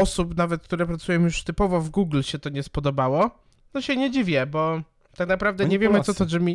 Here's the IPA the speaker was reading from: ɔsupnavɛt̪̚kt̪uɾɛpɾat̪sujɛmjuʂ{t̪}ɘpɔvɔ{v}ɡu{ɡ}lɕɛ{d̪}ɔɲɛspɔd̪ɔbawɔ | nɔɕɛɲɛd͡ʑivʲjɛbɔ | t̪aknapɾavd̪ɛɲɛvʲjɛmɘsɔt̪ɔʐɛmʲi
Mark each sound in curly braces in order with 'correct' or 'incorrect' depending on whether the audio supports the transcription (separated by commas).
correct, correct, correct, incorrect